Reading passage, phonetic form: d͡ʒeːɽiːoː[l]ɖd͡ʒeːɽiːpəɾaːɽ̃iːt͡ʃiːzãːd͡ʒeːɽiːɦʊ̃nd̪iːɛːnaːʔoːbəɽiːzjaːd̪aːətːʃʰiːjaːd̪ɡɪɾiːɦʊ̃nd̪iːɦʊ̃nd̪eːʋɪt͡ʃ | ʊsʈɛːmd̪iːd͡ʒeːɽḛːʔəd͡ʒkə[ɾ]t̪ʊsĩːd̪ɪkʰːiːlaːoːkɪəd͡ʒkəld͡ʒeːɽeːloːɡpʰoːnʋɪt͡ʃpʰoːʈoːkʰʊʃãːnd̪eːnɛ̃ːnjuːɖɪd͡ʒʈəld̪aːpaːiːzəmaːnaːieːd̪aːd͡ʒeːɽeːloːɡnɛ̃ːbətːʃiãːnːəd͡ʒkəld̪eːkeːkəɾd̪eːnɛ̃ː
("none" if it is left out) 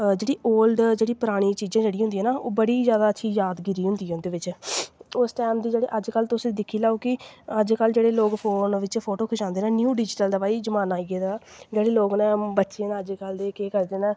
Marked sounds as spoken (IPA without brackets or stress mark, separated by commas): l, l